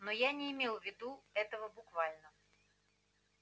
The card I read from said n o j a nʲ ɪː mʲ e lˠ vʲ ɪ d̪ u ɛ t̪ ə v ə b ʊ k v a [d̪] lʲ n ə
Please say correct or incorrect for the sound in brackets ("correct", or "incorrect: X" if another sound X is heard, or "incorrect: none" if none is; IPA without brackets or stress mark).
incorrect: none